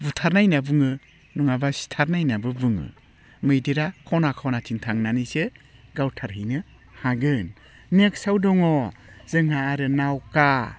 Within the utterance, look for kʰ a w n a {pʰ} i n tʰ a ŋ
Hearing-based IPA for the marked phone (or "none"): tʰ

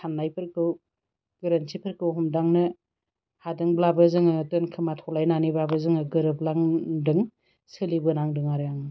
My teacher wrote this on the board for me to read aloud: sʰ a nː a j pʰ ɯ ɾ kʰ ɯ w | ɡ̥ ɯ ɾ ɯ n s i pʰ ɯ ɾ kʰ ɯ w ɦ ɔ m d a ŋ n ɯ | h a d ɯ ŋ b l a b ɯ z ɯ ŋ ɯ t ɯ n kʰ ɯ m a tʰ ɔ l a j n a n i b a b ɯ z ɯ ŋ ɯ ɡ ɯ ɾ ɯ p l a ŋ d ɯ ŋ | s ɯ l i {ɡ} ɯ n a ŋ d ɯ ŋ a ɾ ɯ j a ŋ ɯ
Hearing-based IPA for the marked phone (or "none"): b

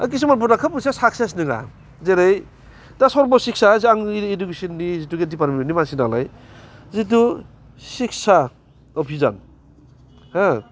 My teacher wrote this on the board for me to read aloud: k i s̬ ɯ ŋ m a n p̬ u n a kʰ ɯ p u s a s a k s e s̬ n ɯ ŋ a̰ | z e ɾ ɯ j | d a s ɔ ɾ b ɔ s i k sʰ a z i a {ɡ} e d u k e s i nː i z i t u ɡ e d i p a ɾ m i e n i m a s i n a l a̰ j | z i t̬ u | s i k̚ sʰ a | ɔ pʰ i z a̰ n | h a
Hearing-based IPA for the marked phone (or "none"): ŋ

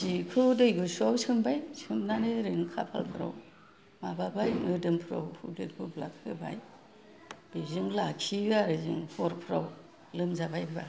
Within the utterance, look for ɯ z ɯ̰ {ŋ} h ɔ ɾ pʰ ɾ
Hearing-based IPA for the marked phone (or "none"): ŋ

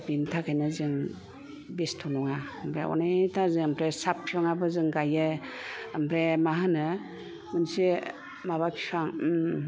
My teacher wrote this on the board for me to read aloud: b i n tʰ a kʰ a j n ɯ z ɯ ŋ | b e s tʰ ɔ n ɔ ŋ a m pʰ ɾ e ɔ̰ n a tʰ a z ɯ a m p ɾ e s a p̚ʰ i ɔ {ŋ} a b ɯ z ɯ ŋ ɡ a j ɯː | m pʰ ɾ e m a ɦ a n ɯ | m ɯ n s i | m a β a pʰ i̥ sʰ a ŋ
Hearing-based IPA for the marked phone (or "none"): ŋ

